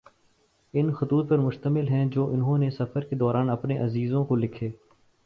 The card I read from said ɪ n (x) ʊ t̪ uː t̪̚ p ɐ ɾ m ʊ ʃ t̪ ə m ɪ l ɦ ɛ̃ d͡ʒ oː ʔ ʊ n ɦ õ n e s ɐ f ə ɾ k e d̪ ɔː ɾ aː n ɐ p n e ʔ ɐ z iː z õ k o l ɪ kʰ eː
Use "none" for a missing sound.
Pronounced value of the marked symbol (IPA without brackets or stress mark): x